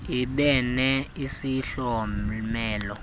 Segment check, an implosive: present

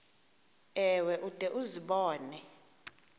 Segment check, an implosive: present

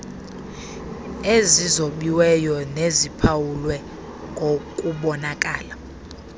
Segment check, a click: absent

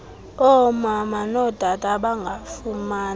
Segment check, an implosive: present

